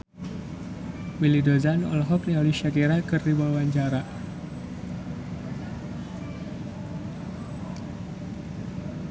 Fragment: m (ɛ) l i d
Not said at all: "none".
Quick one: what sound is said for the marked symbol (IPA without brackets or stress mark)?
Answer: i